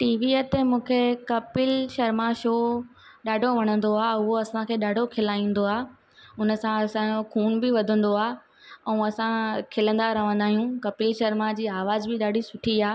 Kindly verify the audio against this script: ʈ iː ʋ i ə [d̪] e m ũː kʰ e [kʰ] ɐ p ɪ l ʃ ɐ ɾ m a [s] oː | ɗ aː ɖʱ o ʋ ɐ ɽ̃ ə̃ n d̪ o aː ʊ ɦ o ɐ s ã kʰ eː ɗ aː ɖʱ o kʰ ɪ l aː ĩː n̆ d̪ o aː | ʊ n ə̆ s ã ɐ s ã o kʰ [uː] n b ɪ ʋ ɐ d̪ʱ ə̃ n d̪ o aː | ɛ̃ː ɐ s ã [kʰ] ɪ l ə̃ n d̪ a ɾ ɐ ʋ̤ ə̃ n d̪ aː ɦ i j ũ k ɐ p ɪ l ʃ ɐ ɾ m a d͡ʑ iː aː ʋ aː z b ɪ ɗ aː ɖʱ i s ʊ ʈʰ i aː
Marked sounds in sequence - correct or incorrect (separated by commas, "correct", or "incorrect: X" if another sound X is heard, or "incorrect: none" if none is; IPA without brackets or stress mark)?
incorrect: t̪, incorrect: k, incorrect: ʃ, correct, correct